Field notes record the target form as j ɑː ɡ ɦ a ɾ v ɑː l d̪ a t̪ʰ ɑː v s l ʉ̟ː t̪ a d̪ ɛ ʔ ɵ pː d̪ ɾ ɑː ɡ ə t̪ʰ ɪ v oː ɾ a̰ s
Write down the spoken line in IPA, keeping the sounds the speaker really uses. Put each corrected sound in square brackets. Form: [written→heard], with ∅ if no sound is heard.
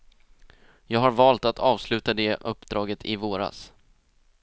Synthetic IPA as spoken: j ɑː ɡ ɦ a ɾ v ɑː l [d̪→t̪] a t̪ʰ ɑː v s l ʉ̟ː t̪ a d̪ ɛ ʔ ɵ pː d̪ ɾ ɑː ɡ ə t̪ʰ ɪ v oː ɾ a̰ s